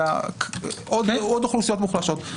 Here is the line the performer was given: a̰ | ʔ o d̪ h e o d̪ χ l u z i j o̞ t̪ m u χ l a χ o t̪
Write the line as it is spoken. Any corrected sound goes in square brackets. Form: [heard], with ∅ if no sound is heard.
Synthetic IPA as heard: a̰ | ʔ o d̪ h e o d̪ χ l u [s] i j o̞ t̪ m u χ l a [ʃ] o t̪